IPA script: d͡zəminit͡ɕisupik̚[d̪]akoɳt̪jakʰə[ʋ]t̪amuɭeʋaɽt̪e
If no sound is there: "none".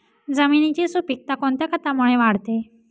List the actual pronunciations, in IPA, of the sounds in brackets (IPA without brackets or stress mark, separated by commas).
t̪, none